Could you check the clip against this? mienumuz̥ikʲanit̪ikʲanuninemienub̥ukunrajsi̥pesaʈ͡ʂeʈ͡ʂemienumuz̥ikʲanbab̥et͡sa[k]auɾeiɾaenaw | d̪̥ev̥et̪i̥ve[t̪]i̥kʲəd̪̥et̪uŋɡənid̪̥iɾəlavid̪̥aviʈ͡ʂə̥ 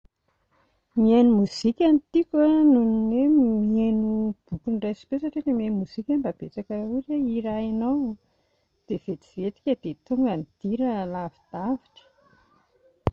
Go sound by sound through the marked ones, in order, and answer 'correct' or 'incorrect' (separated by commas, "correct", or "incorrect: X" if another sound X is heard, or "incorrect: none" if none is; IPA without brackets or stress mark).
correct, correct